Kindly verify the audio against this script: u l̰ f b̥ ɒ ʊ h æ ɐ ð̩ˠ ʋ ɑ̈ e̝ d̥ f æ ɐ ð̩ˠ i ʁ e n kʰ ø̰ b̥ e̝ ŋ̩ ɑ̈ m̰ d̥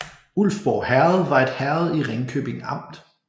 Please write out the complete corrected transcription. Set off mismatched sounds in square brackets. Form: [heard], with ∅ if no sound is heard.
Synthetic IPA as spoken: u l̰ f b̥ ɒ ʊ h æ ɐ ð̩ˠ ʋ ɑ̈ e̝ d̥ [h] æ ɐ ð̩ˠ i ʁ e [ŋ] kʰ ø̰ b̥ e̝ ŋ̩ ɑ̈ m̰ d̥